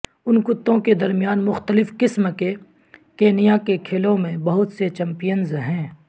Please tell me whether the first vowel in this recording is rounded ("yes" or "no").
yes